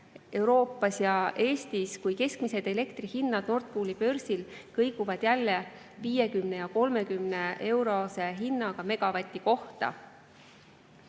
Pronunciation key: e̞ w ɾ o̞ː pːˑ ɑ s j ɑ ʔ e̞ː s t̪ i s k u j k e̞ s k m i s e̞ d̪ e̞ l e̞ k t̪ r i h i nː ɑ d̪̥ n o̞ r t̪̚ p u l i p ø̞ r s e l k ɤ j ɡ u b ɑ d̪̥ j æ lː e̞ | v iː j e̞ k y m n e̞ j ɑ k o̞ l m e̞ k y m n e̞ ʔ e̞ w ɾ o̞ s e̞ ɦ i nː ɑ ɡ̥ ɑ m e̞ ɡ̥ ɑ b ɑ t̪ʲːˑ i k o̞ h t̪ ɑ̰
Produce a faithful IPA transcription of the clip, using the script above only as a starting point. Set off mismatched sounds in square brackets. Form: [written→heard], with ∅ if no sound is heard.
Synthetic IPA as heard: e̞ w ɾ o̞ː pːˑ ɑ s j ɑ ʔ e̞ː s t̪ i s k u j k e̞ s k m i s e̞ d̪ e̞ l e̞ k t̪ r i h i nː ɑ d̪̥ n o̞ r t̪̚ p u l i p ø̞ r s [e→i] l k ɤ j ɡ u [b→v] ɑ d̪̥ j æ lː e̞ | v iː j e̞ k y m n e̞ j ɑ k o̞ l m e̞ k y m n e̞ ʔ e̞ w ɾ o̞ s e̞ ɦ i nː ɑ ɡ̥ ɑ m e̞ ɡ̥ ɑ [b→v] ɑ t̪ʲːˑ i k o̞ h t̪ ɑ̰